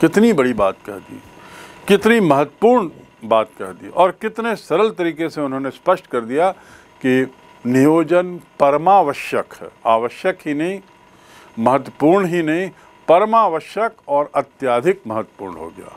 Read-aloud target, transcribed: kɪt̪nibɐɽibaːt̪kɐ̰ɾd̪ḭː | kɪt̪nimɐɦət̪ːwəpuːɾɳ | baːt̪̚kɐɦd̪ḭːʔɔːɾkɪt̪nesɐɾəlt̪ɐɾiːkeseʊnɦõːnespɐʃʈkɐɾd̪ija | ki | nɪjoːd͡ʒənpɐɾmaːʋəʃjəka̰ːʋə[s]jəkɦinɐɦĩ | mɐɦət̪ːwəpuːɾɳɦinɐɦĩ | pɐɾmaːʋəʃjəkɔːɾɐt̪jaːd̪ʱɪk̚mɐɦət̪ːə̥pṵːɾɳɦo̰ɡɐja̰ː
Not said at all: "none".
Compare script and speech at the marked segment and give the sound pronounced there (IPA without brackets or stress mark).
ʃ